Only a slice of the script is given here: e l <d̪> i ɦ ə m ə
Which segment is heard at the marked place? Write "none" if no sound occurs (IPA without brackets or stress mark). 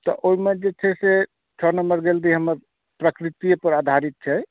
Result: d̪